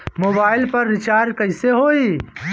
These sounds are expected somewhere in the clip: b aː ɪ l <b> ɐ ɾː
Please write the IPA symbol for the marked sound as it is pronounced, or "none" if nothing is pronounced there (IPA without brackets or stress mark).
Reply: p